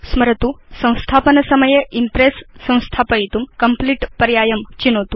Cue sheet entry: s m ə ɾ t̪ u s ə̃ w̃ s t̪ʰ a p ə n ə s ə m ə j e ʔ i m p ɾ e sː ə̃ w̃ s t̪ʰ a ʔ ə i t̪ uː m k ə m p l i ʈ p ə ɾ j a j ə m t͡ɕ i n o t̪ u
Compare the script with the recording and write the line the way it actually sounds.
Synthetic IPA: s m ə ɾ t̪ u s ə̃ w̃ s t̪ʰ a p ə n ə s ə m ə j e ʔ i m p ɾ e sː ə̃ w̃ s t̪ʰ a p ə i t̪ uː m k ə m p l i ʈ p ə ɾ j a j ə m t͡ɕ i n o t̪ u